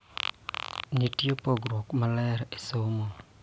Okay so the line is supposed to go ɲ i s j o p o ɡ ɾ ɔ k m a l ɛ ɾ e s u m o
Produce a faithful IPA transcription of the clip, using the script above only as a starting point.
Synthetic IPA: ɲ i t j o p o ɡ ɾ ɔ k m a l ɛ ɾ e s o m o